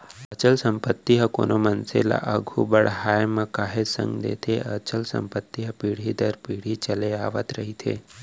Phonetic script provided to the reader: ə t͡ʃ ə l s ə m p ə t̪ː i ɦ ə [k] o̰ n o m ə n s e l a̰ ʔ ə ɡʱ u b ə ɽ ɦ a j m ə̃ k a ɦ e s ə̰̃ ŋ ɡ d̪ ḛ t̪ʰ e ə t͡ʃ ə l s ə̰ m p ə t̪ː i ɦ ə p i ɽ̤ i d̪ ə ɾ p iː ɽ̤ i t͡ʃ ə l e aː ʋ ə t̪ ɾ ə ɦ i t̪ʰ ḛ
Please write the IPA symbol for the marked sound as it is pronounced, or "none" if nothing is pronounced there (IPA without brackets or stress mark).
k